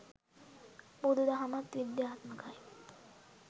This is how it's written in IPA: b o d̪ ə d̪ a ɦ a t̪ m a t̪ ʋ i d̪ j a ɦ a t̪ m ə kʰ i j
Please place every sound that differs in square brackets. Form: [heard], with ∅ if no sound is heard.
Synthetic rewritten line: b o d̪ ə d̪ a ɦ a [∅] m a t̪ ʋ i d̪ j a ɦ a t̪ m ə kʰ [a] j